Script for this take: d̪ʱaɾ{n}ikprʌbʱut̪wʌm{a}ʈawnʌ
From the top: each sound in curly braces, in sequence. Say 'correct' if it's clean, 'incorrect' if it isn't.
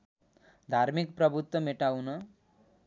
incorrect, incorrect

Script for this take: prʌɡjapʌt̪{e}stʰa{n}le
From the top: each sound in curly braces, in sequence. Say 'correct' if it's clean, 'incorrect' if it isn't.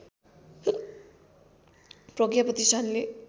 incorrect, correct

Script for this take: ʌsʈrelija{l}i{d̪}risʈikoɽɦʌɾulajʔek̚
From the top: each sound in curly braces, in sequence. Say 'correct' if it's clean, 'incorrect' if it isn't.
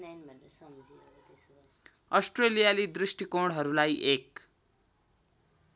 correct, correct

